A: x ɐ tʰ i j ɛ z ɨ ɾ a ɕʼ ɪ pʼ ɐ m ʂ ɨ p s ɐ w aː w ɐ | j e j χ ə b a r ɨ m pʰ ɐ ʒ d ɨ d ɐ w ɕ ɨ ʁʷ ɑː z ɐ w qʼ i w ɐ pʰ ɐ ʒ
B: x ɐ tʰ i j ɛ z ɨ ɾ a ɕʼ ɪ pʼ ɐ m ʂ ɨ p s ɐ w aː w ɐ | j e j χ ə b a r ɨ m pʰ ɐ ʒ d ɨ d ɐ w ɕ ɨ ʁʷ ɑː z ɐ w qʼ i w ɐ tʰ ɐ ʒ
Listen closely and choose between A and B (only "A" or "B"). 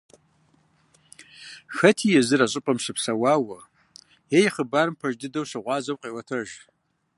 B